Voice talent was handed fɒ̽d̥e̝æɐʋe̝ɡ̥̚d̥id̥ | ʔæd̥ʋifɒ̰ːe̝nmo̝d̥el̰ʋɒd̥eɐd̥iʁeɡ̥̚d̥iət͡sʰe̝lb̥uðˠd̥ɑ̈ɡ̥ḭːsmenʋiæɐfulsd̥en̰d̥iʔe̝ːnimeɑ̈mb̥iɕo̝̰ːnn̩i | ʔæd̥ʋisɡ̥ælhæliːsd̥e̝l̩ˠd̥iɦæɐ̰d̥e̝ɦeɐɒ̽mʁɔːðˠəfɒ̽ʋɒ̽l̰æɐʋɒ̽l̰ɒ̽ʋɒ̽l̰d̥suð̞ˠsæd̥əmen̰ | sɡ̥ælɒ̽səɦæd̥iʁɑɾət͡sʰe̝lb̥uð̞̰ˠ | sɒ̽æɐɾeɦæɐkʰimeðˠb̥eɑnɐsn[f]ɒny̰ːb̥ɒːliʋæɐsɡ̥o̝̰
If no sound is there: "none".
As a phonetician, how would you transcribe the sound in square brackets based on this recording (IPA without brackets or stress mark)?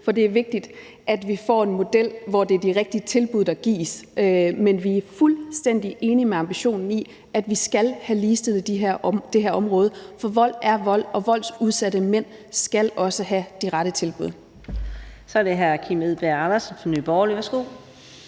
f